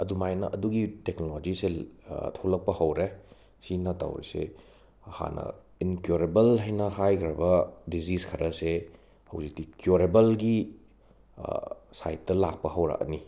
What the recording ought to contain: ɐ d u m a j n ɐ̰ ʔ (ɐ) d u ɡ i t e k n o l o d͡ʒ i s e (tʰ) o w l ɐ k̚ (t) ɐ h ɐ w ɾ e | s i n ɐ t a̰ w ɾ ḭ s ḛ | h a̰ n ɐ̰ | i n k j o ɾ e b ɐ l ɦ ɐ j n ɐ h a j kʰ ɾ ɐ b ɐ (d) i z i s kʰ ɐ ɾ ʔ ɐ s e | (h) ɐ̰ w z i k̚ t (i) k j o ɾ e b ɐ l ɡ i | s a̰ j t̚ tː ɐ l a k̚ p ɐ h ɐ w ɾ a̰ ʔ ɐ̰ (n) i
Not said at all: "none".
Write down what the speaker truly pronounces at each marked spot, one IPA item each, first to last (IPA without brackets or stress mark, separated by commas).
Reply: ɐ, tʰ, p, d, h, i, n